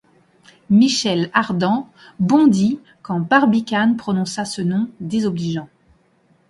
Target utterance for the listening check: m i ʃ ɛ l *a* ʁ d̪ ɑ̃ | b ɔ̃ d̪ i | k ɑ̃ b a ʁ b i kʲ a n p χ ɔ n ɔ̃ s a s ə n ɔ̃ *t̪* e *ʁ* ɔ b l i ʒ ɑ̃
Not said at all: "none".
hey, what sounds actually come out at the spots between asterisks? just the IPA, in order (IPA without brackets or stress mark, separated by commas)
a, d̪, z